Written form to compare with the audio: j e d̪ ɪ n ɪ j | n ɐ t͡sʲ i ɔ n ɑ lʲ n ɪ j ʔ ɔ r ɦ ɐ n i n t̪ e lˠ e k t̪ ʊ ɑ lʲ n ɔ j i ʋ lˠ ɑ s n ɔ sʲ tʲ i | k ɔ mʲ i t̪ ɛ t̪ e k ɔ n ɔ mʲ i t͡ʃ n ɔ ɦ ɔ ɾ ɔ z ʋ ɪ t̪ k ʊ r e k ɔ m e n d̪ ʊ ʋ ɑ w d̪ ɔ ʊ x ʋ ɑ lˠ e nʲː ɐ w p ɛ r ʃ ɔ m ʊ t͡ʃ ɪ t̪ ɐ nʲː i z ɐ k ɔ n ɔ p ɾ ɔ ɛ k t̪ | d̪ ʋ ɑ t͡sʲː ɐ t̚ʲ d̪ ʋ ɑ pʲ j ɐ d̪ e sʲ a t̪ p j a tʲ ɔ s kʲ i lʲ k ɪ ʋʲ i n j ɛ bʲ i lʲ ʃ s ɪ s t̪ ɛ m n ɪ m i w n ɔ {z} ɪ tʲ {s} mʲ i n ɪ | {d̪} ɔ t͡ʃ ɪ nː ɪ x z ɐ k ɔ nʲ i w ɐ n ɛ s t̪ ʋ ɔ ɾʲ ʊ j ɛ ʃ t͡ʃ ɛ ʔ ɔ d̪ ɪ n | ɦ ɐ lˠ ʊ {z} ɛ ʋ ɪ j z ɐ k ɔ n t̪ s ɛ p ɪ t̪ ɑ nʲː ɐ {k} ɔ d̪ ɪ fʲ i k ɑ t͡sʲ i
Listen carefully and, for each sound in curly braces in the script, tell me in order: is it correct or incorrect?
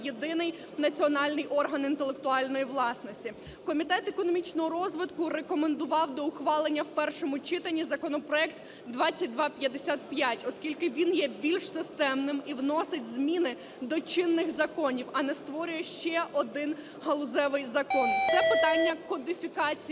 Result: incorrect: s, incorrect: z, correct, correct, correct

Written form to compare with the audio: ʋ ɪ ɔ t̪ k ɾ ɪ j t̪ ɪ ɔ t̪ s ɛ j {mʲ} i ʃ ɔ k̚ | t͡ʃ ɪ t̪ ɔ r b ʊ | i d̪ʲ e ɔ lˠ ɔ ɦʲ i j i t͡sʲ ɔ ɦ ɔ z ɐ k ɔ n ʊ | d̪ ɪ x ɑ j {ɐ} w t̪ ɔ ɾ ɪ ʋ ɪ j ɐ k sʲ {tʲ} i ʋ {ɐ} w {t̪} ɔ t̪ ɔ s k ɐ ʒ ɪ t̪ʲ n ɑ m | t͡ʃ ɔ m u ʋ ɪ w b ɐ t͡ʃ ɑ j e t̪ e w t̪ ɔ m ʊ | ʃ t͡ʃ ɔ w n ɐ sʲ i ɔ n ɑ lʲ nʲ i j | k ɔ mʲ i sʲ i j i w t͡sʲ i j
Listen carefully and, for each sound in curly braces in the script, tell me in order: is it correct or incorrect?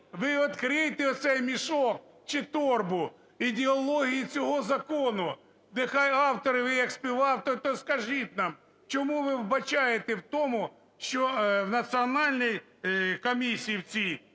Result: correct, incorrect: ɑ, incorrect: pʲ, incorrect: ɑ, correct

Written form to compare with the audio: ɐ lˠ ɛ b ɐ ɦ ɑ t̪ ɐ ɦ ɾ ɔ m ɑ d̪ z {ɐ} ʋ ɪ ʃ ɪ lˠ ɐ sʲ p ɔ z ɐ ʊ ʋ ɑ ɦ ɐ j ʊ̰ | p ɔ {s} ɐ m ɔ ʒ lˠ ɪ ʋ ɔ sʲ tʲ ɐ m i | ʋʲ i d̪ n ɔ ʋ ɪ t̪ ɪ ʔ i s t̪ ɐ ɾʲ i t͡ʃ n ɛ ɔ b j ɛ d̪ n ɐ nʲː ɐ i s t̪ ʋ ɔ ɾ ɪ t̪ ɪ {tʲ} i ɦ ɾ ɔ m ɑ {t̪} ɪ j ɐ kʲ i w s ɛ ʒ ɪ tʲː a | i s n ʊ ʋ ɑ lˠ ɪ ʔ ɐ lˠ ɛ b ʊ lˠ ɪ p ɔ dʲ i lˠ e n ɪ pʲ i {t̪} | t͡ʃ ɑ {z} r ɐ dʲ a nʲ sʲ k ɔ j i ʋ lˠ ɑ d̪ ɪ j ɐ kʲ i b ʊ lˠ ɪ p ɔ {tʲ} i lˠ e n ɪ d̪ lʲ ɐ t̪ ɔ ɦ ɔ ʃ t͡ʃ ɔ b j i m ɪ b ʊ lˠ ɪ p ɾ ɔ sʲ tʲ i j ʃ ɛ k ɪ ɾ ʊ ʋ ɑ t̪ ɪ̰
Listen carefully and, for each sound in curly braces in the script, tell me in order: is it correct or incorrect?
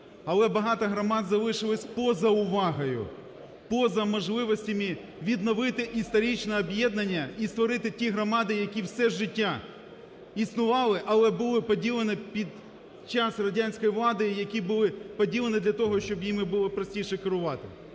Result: correct, incorrect: z, correct, incorrect: d̪, incorrect: d̪, incorrect: s, incorrect: dʲ

